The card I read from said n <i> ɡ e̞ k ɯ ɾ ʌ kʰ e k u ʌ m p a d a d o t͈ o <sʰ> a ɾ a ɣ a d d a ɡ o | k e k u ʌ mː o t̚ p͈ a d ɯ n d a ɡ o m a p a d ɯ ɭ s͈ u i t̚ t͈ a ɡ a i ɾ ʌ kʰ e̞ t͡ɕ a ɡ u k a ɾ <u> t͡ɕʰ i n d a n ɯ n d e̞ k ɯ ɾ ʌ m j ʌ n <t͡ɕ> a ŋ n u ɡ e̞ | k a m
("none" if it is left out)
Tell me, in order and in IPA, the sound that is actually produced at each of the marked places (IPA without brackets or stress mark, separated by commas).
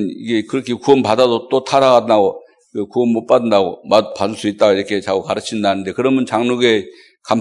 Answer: i, tʰ, ɯ, t͡ɕ